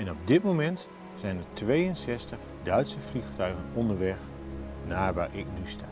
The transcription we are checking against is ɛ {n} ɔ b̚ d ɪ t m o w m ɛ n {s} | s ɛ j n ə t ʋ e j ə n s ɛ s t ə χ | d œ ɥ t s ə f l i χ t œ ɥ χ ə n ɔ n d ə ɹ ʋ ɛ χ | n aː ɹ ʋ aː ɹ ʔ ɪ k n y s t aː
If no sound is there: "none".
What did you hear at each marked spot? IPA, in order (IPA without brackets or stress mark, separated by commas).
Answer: n, t